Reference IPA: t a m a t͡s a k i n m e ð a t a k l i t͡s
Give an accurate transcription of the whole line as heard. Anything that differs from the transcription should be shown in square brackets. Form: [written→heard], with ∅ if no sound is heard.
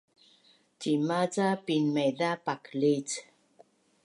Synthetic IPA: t [a→i] m a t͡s a [k→p] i n m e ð a [t→p] a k l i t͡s